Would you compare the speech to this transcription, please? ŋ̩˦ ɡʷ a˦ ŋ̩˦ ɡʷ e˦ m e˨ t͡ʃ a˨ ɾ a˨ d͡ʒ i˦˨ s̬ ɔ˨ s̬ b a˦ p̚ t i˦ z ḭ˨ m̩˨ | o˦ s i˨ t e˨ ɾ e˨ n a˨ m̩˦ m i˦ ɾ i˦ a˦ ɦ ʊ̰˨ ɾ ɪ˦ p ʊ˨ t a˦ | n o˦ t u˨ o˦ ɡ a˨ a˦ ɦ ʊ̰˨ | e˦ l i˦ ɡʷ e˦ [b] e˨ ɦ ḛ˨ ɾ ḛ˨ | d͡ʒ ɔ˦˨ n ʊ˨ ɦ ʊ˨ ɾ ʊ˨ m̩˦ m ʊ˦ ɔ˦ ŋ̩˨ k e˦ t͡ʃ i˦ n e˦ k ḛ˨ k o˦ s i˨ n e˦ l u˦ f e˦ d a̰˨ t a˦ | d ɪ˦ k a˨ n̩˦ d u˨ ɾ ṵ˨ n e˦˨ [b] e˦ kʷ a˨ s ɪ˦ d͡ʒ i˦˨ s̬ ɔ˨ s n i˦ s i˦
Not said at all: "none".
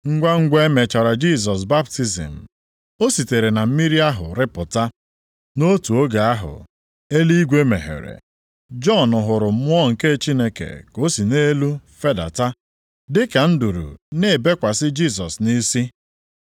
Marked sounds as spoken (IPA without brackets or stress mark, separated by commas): m, b